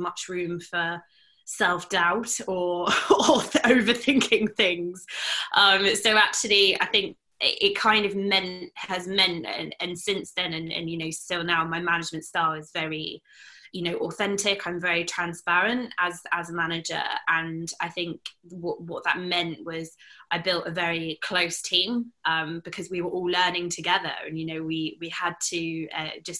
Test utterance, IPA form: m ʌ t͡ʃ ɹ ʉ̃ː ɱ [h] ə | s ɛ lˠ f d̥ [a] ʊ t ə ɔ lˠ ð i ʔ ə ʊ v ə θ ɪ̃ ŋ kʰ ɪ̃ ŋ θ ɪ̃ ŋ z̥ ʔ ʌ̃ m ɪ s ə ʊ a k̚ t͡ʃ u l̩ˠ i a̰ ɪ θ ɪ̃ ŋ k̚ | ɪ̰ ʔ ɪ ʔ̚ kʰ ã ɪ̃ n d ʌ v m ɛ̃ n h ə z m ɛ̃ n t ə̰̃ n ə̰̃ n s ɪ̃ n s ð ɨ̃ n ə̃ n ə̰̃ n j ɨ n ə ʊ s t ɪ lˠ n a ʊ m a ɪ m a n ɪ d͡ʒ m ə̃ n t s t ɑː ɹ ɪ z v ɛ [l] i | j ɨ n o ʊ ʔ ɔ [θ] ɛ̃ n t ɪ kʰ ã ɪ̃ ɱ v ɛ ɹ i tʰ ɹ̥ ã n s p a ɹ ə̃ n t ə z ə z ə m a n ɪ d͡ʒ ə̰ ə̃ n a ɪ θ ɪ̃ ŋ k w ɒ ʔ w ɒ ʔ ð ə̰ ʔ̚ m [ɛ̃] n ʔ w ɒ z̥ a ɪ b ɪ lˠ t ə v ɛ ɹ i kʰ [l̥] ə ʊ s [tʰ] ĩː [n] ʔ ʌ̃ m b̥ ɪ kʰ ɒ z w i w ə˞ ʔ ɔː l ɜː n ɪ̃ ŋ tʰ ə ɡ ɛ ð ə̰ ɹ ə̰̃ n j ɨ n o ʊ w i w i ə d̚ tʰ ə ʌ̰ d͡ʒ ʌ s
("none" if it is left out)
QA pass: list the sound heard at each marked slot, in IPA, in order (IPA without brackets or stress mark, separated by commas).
f, a, ɹ, θ, ɛ̃, l̥, tʰ, m